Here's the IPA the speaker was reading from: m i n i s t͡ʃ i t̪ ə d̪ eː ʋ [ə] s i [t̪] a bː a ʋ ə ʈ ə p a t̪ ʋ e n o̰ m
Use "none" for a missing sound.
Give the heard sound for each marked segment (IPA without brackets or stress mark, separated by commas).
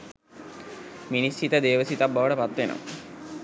ə, t̪